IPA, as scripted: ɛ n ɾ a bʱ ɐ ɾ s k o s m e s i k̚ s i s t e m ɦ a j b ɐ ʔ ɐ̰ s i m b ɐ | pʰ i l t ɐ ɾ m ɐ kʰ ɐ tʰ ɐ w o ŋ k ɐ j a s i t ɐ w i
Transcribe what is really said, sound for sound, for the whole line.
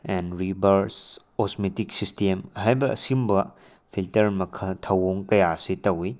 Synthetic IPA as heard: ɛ n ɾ i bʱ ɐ ɾ s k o s m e t i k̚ s i s t e m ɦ a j b ɐ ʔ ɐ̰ s i m b ɐ | pʰ i l t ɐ ɾ m ɐ kʰ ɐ tʰ ɐ w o ŋ k ɐ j a s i t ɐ w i